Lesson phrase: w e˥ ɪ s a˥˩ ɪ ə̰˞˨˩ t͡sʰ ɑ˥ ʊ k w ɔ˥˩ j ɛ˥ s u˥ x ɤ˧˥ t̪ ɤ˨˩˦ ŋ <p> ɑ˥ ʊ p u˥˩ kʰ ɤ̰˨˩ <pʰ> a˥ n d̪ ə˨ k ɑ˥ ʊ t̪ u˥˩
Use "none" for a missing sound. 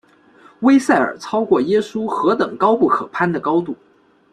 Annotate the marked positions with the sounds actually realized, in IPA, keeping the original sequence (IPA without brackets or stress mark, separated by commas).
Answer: k, pʰ